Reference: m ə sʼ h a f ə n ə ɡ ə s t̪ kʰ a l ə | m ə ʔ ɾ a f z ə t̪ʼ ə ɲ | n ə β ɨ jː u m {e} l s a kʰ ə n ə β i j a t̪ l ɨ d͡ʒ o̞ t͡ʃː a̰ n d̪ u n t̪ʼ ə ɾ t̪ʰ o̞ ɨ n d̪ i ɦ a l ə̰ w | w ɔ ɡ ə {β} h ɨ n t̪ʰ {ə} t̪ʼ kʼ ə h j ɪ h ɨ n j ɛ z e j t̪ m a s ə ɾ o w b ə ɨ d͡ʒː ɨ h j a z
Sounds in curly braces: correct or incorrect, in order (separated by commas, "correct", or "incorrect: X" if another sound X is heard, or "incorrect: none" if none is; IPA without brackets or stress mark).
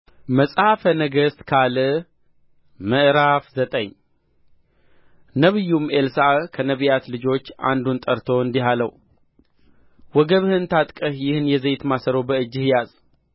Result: correct, correct, incorrect: a